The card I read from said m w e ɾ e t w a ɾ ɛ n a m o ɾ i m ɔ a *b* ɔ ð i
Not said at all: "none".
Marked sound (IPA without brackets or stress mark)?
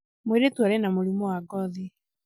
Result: ɡ